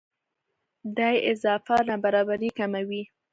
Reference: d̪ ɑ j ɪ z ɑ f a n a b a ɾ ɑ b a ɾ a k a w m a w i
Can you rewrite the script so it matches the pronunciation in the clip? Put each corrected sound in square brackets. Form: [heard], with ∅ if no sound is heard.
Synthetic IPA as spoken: d̪ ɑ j ɪ z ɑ f a n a b a ɾ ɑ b a ɾ [i] k a [∅] m a w i